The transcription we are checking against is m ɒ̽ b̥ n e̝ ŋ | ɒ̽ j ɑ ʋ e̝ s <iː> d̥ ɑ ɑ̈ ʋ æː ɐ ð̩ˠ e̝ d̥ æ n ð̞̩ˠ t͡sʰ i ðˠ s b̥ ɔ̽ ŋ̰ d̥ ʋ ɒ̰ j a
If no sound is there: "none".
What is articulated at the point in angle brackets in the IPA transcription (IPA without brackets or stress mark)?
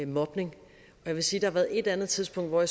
iː